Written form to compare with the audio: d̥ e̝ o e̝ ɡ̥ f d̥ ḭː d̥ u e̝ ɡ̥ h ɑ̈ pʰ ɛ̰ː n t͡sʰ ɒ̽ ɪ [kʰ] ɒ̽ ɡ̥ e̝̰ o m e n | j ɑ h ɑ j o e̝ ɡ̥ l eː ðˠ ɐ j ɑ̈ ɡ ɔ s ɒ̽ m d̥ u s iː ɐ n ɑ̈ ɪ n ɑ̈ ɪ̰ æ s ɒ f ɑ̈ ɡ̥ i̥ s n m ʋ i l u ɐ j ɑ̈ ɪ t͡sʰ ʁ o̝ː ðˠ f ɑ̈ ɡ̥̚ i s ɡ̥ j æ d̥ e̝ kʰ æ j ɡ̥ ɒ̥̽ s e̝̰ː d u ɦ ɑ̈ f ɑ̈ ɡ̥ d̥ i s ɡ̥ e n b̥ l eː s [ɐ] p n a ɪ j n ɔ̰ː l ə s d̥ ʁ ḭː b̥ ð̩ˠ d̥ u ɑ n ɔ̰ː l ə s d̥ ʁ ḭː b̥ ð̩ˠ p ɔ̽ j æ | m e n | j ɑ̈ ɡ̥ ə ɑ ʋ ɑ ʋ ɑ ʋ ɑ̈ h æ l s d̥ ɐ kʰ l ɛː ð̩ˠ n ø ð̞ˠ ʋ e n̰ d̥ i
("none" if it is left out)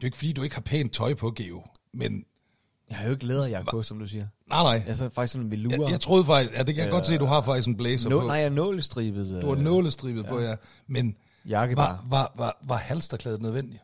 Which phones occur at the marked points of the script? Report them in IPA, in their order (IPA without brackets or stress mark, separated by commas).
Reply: pʰ, ɐ